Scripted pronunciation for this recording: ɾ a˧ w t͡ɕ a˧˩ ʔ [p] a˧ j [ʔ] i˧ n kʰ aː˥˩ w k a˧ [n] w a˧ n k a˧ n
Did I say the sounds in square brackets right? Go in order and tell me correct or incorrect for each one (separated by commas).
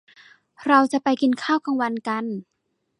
correct, incorrect, incorrect